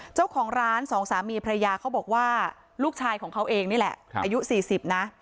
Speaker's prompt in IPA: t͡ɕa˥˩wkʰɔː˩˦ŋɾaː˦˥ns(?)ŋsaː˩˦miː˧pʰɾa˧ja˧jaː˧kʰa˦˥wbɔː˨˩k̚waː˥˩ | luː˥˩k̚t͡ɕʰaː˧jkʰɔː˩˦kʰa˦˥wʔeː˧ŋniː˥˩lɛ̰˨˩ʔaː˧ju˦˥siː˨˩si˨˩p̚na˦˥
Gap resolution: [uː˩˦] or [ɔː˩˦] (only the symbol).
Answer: ɔː˩˦